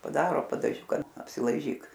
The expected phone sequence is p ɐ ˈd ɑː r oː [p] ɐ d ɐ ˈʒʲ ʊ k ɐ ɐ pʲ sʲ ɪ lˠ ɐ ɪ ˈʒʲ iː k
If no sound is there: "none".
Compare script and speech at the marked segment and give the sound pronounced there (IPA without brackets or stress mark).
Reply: p